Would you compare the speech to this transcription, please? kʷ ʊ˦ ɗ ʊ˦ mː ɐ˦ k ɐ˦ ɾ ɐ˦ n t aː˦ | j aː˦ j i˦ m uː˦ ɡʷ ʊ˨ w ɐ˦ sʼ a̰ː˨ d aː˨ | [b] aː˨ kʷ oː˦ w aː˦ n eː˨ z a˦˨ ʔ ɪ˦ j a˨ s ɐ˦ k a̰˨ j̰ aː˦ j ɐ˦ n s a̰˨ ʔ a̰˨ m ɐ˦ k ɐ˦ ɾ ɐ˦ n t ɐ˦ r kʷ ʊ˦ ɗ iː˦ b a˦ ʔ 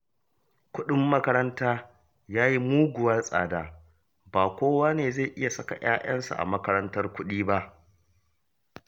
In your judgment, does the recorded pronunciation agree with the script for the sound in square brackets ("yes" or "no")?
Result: yes